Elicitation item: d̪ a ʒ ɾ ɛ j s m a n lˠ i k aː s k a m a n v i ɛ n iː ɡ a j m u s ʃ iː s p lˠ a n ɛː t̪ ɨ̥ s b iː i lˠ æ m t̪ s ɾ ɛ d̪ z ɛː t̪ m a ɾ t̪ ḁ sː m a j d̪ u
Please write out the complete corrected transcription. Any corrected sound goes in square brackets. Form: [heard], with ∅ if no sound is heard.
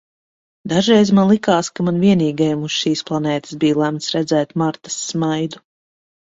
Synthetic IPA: d̪ a ʒ ɾ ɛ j [z] m a n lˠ i k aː s k a m a n v i ɛ n iː ɡ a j m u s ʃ iː s p lˠ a n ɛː t̪ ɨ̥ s b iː [j] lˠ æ m t̪ s ɾ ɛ d̪ z ɛː t̪ m a ɾ t̪ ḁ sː m a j d̪ u